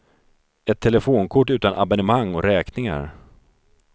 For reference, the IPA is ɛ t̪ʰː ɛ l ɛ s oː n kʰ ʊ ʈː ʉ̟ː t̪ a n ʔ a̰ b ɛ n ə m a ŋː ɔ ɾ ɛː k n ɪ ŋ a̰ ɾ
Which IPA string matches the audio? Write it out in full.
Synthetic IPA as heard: ɛ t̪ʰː ɛ l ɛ f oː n kʰ ʊ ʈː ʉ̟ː t̪ a n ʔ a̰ b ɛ n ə m a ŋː ɔ ɾ ɛː k n ɪ ŋ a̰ ɾ